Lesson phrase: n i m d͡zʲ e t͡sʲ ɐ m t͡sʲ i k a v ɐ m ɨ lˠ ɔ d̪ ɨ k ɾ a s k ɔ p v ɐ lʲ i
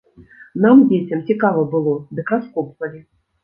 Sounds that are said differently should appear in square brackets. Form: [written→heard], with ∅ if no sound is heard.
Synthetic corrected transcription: n [i→a] m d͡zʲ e t͡sʲ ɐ m t͡sʲ i k a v ɐ [m→b] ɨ lˠ ɔ d̪ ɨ k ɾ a s k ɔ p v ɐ lʲ i